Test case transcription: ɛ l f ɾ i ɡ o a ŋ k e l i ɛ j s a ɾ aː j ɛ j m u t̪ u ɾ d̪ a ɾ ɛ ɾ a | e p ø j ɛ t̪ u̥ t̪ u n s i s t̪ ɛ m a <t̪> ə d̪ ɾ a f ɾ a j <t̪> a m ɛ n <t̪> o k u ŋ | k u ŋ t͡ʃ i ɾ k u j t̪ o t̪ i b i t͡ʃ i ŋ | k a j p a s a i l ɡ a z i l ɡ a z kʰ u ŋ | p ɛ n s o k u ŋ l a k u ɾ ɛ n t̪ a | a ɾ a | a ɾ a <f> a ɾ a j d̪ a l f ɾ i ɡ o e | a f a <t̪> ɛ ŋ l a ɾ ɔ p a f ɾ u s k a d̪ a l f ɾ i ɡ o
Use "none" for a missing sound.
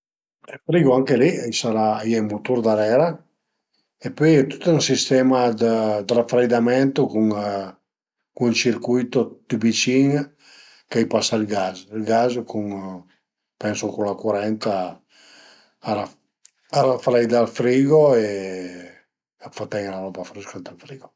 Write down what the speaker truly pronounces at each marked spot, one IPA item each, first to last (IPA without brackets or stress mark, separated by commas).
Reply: d̪, d̪, t̪, f, t̪